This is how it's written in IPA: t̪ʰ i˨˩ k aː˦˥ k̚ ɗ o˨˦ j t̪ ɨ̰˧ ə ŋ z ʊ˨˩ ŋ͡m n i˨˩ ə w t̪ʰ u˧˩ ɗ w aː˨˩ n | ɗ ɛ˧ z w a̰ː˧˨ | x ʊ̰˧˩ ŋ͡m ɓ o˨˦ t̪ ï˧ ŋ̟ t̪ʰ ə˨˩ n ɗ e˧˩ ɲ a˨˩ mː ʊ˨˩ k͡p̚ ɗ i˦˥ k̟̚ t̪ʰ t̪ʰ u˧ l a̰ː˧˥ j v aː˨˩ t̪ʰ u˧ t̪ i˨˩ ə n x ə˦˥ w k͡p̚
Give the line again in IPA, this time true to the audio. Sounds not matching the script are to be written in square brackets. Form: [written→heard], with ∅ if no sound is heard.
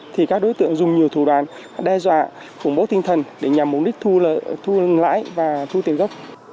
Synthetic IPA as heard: t̪ʰ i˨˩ k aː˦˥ k̚ ɗ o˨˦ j t̪ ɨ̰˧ ə ŋ z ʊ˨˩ ŋ͡m [n→ɲ] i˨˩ ə w t̪ʰ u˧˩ ɗ w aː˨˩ n | ɗ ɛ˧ z w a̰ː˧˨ | x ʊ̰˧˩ ŋ͡m ɓ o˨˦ t̪ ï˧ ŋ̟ t̪ʰ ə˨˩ n ɗ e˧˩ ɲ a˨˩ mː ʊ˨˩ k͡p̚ ɗ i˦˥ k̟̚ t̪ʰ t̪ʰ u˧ l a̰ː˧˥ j v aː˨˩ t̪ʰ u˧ t̪ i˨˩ ə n [x→ɣ] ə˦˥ w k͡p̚